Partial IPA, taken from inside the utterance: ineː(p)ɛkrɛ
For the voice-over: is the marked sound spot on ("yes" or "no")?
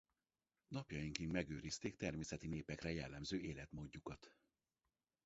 yes